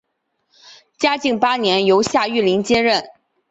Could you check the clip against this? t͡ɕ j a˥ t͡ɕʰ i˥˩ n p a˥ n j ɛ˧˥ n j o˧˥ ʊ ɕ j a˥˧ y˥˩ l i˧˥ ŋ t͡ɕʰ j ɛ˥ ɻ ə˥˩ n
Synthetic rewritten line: t͡ɕ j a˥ t͡ɕ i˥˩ ŋ p a˥ n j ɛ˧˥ n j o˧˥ ʊ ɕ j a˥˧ y˥˩ l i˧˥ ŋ t͡ɕ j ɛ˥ ɻ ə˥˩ n

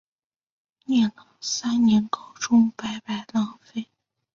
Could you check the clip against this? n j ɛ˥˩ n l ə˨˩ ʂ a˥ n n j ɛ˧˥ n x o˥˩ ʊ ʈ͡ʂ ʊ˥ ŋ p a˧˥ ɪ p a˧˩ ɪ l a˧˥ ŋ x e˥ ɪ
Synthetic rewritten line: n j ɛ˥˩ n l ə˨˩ s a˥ n n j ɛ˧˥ n k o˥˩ ʊ ʈ͡ʂ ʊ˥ ŋ p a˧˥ ɪ p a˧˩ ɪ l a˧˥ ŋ f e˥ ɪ

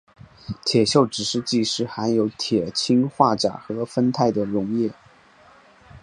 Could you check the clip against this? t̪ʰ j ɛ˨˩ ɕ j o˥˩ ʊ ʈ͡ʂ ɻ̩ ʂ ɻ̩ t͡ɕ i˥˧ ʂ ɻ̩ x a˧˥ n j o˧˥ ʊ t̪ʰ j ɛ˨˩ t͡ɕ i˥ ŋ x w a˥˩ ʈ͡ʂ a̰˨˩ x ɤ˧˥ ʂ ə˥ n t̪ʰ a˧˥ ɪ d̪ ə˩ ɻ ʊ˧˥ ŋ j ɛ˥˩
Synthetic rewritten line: t̪ʰ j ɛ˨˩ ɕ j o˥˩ ʊ ʈ͡ʂ ɻ̩ ʂ ɻ̩ t͡ɕ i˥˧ ʂ ɻ̩ x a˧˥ n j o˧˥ ʊ t̪ʰ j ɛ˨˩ t͡ɕʰ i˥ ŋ x w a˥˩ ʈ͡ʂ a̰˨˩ x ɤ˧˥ f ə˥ n t̪ʰ a˥˩ ɪ d̪ ə˩ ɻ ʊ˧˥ ŋ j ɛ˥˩

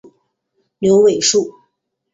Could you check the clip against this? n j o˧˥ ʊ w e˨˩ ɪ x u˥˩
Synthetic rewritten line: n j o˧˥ ʊ w e˨˩ ɪ ʂ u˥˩

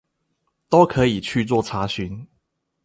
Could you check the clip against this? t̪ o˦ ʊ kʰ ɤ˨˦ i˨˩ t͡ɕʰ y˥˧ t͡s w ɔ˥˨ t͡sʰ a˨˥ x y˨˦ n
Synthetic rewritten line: t̪ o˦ ʊ kʰ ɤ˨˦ i˨˩ t͡ɕʰ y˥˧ t͡s w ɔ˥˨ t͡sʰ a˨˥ ɕ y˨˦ n

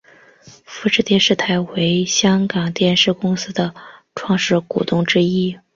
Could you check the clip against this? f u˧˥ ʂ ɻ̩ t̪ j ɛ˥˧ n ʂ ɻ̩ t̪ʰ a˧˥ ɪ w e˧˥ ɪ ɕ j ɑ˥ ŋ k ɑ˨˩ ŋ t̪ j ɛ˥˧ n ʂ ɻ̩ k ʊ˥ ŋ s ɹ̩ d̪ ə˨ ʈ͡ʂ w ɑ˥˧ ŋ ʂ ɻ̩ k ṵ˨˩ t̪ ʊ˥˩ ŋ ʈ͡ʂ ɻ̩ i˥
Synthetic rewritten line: f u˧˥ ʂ ɻ̩ t̪ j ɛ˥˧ n ʂ ɻ̩ t̪ʰ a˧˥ ɪ w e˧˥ ɪ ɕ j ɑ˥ ŋ k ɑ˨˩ ŋ t̪ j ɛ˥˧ n ʂ ɻ̩ k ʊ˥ ŋ s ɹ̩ d̪ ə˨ ʈ͡ʂʰ w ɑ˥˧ ŋ ʂ ɻ̩ k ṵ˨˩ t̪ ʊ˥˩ ŋ ʈ͡ʂ ɻ̩ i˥

